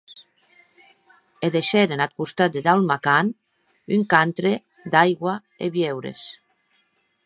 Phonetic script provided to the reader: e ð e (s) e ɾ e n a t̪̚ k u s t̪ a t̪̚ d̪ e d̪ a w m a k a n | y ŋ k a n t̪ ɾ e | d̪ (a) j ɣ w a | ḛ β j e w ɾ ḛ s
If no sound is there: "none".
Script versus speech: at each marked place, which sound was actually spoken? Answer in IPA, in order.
ʃ, a

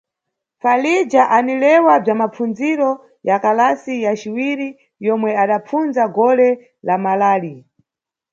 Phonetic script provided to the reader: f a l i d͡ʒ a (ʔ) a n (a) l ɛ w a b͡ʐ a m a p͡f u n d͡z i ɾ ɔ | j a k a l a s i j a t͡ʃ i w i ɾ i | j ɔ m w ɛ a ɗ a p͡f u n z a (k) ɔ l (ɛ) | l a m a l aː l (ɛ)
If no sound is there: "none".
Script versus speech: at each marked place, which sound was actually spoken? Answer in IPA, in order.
ʔ, i, ɡ, ɛ, i

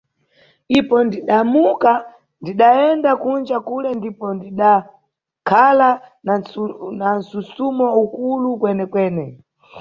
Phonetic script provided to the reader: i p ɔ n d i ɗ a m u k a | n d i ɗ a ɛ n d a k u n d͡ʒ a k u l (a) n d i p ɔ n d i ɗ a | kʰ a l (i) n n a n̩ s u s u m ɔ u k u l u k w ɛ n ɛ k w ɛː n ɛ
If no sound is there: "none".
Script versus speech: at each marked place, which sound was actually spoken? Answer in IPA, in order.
ɛ, a

